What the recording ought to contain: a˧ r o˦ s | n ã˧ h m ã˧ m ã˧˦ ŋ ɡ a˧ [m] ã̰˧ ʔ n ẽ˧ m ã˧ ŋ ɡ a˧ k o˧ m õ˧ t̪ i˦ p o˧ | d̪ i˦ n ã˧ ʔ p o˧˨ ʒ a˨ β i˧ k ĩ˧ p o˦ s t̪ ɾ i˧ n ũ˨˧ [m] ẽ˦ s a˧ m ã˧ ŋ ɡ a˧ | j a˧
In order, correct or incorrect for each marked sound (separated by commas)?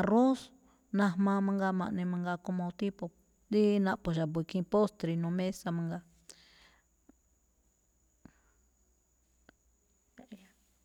correct, correct